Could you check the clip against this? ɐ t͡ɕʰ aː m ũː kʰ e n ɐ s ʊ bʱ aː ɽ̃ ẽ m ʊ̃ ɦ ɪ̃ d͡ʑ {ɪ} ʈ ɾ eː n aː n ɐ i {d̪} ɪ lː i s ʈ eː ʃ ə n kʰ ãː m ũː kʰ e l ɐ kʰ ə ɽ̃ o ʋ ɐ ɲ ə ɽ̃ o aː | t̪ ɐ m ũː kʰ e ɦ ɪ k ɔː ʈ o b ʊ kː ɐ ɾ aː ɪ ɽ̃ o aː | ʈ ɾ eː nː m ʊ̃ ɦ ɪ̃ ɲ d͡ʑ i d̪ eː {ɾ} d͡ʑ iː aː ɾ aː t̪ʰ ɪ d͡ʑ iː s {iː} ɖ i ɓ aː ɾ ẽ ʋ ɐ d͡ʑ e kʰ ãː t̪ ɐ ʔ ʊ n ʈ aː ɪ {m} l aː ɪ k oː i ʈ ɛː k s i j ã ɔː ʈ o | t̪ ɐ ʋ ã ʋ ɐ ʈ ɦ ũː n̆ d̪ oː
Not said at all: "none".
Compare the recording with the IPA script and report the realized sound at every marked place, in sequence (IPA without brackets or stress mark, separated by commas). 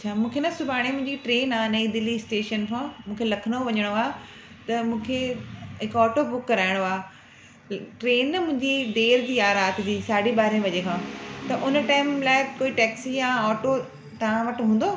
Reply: i, d̪, ɾ, aː, m